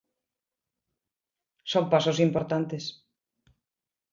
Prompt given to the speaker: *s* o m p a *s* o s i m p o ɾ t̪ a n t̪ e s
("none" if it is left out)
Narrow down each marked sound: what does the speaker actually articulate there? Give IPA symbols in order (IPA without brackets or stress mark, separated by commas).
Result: s, s